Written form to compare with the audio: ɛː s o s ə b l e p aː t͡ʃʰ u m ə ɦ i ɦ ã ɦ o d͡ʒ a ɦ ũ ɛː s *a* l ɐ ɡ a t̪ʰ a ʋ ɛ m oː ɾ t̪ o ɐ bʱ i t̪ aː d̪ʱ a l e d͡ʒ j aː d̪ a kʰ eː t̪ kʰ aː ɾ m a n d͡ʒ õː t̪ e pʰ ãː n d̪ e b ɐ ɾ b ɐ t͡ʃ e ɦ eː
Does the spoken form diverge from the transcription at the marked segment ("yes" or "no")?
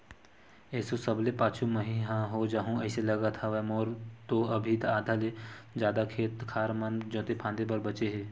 yes